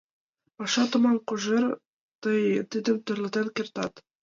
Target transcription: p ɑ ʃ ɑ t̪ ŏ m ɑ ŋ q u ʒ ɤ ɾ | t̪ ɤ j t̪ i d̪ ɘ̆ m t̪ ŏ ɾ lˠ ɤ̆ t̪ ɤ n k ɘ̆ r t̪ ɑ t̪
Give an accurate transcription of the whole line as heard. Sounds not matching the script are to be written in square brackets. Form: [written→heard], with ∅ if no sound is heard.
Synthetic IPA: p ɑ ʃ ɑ t̪ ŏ m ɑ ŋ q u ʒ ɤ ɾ | t̪ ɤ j t̪ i d̪ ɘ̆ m t̪ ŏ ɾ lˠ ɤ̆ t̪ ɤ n k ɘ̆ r t̪ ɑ t̪